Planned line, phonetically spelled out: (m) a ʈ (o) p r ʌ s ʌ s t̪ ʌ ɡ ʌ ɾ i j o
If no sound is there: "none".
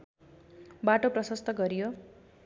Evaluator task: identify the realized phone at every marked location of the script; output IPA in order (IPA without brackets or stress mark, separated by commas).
b, o